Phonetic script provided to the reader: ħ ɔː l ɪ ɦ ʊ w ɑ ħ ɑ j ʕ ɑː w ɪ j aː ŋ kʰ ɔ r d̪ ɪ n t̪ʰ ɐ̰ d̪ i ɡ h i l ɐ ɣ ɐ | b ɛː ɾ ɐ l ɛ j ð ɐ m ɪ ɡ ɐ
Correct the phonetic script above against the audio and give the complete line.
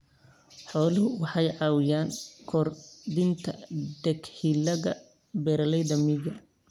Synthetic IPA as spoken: ħ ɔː l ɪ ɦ ʊ w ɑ ħ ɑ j ʕ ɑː w ɪ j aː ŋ kʰ ɔ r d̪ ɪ n t̪ʰ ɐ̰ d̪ ɛ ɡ h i l ɐ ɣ ɐ | b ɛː ɾ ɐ l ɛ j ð ɐ m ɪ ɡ ɐ